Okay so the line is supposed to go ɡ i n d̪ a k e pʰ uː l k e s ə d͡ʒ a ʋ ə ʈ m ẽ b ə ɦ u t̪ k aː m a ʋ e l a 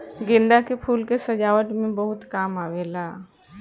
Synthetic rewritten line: ɡ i n d̪ a k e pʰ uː l k e s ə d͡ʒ a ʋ ə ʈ m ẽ b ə ɦ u t̪ k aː m a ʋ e l a